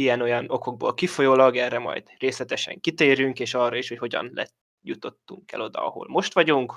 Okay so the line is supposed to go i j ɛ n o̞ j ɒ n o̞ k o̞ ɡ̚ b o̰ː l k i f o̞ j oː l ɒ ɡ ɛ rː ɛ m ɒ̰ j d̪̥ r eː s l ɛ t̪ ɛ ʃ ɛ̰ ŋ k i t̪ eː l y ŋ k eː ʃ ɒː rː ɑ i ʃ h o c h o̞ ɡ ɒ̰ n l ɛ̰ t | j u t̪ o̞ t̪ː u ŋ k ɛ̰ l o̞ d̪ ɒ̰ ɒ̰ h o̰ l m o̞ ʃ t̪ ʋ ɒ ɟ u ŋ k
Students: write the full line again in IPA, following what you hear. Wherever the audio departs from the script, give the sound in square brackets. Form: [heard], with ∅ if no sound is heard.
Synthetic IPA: i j ɛ n o̞ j ɒ n o̞ k o̞ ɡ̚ b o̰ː l k i f o̞ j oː l ɒ ɡ ɛ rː ɛ m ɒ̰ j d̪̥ r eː s l ɛ t̪ ɛ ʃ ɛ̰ ŋ k i t̪ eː [ɾ] y ŋ k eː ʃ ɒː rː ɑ i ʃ h o c h o̞ [ɟ] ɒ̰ n l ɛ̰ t | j u t̪ o̞ t̪ː u ŋ k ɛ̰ l o̞ d̪ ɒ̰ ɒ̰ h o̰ l m o̞ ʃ t̪ ʋ ɒ ɟ u ŋ k